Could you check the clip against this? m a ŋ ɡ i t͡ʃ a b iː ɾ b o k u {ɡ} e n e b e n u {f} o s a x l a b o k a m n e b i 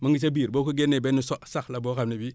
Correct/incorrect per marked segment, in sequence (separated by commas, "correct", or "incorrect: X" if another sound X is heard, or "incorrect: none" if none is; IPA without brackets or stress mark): correct, incorrect: s